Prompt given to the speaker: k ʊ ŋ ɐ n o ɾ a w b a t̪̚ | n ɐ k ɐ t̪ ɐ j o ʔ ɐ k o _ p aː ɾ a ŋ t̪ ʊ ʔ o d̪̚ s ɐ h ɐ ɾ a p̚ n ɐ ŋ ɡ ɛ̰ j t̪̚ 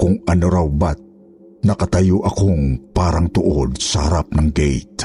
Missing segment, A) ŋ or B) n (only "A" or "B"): A